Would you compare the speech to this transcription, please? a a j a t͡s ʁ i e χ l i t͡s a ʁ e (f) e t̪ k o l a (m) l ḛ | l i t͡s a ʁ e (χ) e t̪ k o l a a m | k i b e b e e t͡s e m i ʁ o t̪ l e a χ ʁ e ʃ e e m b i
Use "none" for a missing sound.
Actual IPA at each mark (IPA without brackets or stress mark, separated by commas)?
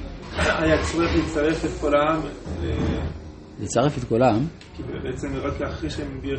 f, m, f